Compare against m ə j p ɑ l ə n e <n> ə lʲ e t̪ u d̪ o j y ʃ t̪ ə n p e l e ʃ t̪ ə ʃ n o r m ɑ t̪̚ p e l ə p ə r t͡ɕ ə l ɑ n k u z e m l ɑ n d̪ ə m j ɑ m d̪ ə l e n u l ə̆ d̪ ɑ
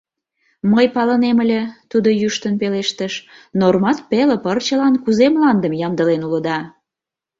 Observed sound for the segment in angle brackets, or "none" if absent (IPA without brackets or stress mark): m